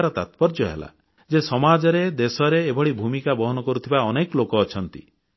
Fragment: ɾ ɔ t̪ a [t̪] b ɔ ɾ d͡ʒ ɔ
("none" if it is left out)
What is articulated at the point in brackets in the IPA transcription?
t̪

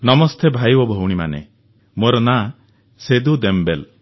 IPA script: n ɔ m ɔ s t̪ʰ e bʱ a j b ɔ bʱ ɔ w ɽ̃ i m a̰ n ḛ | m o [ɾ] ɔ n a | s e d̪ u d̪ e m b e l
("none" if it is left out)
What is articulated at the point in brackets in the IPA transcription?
ɾ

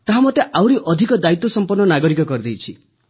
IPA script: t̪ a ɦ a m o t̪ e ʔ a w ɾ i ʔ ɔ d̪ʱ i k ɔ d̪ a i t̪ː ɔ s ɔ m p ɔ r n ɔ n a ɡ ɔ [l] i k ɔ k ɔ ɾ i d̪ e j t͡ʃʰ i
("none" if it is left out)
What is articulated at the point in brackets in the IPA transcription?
ɾ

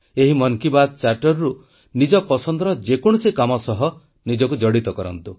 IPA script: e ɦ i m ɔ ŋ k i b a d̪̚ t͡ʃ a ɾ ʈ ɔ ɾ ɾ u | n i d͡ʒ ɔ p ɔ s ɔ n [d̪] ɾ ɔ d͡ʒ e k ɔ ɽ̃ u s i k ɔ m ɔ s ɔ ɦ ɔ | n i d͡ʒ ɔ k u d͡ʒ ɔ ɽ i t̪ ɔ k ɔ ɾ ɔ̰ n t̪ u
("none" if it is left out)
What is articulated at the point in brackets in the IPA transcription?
d̪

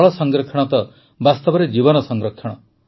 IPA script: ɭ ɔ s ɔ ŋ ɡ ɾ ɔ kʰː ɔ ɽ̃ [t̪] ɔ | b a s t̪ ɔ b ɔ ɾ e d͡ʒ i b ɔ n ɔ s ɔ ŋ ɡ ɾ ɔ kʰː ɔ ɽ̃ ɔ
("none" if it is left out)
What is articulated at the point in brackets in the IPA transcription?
t̪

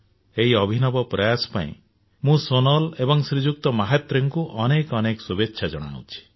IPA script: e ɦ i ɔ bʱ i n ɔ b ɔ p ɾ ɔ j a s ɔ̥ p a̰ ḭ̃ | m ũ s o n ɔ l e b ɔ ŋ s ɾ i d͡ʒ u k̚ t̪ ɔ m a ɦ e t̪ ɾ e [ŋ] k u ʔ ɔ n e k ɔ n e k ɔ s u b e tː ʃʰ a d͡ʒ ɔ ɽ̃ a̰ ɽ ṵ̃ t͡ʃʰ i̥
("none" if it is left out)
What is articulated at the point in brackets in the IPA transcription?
ŋ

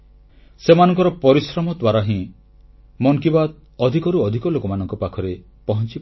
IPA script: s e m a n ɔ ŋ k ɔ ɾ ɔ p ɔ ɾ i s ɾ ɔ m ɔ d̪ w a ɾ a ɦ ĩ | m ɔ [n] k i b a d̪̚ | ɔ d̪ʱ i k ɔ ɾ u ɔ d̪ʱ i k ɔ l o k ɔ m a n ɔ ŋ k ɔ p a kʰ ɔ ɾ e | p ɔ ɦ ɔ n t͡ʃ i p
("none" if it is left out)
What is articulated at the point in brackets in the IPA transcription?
ŋ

